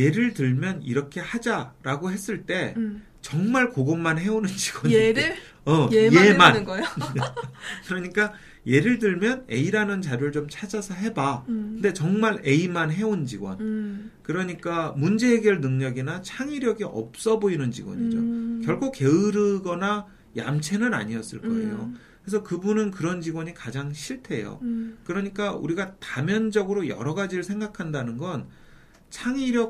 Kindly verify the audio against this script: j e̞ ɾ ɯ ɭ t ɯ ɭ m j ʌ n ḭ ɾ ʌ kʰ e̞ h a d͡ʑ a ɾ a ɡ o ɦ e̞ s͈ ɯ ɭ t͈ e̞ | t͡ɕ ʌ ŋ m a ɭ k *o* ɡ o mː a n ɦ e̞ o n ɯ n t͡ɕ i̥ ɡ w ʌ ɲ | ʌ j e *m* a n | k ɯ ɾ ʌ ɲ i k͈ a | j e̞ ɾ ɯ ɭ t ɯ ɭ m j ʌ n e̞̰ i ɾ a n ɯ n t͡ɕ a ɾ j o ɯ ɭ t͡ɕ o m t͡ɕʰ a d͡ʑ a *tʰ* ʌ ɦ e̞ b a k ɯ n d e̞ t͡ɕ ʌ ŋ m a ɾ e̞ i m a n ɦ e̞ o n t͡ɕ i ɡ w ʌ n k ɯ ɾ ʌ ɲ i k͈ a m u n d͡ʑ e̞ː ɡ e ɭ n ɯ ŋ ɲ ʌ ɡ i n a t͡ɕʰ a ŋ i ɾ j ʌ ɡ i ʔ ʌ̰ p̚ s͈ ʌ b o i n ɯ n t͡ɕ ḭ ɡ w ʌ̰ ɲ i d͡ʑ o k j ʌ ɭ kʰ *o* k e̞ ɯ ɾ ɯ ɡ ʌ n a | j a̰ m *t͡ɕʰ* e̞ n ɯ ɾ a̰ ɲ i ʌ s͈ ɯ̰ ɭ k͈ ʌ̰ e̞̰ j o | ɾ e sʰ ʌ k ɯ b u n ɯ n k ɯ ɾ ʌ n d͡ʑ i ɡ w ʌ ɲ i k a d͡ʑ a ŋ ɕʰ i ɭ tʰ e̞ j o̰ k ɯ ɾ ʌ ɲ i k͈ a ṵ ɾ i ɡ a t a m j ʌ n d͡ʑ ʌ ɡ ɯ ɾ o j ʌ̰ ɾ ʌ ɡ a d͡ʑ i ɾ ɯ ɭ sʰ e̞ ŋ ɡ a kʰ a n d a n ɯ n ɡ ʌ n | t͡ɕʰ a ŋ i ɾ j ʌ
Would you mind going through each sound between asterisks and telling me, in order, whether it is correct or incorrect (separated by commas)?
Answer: correct, correct, incorrect, correct, correct